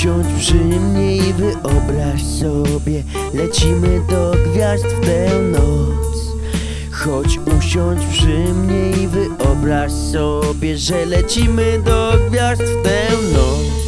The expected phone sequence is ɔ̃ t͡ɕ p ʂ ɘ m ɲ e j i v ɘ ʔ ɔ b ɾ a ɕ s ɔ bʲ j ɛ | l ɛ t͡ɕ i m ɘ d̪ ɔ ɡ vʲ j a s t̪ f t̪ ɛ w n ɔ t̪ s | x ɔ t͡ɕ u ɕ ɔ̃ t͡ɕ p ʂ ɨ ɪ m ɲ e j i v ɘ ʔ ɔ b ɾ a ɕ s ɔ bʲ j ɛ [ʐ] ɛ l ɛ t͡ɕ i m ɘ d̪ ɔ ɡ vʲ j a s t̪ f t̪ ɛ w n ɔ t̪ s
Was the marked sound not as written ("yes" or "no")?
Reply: no